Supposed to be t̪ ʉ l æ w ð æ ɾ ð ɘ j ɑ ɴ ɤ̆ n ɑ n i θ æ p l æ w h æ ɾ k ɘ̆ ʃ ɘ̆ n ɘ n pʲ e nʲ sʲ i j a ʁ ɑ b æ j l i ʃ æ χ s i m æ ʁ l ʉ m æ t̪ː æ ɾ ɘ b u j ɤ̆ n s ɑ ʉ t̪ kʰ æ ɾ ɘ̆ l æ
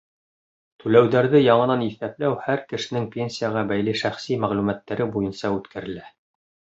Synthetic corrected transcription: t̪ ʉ l æ w ð æ ɾ ð ɘ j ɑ ɴ ɤ̆ n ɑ n i θ æ p l æ w h æ ɾ k ɘ̆ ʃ ɘ̆ n ɘ ŋ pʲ e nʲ sʲ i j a ʁ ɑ b æ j l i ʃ æ χ s i m æ ʁ l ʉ m æ t̪ː æ ɾ ɘ b u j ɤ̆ n s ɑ ʉ t̪ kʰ æ ɾ ɘ̆ l æ

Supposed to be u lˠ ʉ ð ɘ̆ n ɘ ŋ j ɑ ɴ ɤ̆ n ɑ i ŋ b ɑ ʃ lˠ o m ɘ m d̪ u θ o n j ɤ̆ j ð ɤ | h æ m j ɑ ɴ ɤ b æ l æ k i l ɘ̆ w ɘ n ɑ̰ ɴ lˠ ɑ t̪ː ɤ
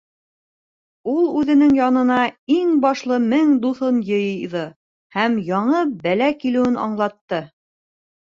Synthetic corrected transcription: u lˠ ʉ ð ɘ̆ n ɘ ŋ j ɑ n ɤ̆ n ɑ i ŋ b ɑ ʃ lˠ ɤ m ɘ ŋ d̪ u θ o n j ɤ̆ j ð ɤ | h æ m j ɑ ɴ ɤ b æ l æ k i l ɘ̆ w ɘ n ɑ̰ ɴ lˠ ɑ t̪ː ɤ

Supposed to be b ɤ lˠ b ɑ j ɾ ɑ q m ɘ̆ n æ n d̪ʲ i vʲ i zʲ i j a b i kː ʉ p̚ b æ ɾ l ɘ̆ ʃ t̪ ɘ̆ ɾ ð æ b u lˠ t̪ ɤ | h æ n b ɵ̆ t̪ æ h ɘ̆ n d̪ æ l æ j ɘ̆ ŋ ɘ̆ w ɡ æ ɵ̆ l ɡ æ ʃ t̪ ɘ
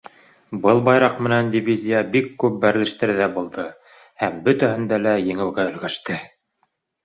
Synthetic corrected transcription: b ɤ lˠ b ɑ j ɾ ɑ q m ɘ̆ n æ n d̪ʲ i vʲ i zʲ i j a b i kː ʉ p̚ b æ ɾ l ɘ̆ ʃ t̪ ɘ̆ ɾ ð æ b u lˠ d̪ ɤ | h æ m b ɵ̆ t̪ æ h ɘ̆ n d̪ æ l æ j ɘ̆ ŋ ɘ̆ w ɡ æ ɵ̆ l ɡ æ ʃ t̪ ɘ

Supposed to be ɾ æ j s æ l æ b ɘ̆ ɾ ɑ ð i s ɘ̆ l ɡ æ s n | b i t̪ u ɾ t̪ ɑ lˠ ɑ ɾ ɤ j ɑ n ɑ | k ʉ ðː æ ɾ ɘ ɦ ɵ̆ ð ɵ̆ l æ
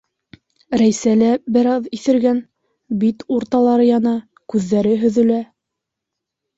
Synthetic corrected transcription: ɾ æ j s æ l æ b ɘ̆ ɾ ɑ ð i θ ɘ̆ ɾ ɡ æ n | b i t̪ u ɾ t̪ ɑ lˠ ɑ ɾ ɤ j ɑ n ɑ | k ʉ ðː æ ɾ ɘ ɦ ɵ̆ ð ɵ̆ l æ

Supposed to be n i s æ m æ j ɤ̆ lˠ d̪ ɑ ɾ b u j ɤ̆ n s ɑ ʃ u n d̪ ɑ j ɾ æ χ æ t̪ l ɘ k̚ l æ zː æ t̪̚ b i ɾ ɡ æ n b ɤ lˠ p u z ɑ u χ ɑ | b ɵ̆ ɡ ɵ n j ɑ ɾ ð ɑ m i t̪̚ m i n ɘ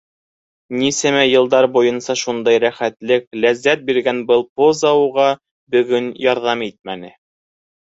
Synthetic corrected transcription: n i s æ m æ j ɤ̆ lˠ d̪ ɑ ɾ b u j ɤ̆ n s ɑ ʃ u n d̪ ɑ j ɾ æ χ æ t̪ l ɘ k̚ l æ zː æ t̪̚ b i ɾ ɡ æ n b ɤ lˠ p o z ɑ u ʁ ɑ | b ɵ̆ ɡ ɵ n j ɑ ɾ ð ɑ m i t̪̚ m æ n ɘ

